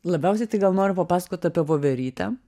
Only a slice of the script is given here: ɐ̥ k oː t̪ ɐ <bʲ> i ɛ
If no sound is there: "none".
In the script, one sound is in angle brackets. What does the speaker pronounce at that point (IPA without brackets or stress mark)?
pʲ